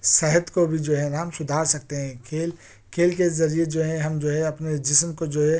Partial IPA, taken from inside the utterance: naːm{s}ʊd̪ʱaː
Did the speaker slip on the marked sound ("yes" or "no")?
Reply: no